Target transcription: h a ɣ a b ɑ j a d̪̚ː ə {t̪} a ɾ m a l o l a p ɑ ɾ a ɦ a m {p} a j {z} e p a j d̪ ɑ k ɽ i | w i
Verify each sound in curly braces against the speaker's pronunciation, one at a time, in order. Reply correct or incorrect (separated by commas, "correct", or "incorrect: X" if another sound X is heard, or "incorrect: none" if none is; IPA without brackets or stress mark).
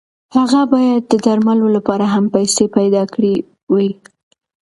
incorrect: d̪, correct, incorrect: s